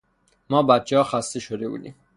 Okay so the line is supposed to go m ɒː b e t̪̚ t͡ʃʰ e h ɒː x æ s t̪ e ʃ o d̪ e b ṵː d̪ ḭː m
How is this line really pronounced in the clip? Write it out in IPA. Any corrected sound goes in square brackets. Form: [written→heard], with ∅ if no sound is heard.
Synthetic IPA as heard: m ɒː b [e→æ] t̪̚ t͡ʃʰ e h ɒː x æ s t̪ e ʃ o d̪ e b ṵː d̪ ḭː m